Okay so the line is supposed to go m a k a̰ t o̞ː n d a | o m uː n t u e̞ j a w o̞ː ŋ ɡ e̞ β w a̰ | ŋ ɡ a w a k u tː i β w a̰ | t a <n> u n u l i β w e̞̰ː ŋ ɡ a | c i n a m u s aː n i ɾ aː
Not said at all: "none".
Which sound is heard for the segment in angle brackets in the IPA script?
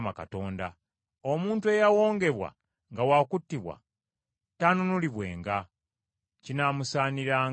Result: n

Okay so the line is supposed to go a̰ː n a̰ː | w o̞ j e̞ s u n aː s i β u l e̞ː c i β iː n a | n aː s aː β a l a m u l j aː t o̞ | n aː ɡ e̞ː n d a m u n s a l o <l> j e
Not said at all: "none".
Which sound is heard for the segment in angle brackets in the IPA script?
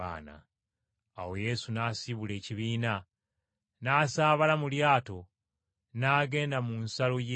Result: none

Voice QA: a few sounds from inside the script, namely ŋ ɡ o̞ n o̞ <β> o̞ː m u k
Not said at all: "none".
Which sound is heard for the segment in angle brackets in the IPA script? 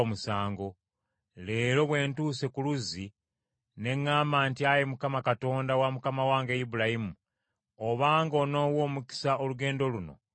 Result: w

